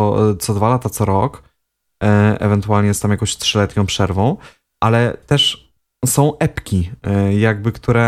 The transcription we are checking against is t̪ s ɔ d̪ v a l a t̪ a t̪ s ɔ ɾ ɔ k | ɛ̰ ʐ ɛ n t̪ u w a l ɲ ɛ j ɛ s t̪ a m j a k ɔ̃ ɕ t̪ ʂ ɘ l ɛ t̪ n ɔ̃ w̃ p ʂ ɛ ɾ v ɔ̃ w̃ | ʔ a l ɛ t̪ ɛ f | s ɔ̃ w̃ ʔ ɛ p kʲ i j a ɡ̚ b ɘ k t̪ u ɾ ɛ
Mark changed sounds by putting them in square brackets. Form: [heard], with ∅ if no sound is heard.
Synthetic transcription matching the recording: t̪ s ɔ d̪ v a l a t̪ a t̪ s ɔ ɾ ɔ k | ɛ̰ [v] ɛ n t̪ u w a l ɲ ɛ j ɛ s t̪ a m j a k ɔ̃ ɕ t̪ ʂ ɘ l ɛ t̪ [ɲ] ɔ̃ w̃ p ʂ ɛ ɾ v ɔ̃ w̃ | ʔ a l ɛ t̪ ɛ [ʂ] | s ɔ̃ w̃ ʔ ɛ p kʲ i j a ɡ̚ b ɘ k t̪ u ɾ ɛ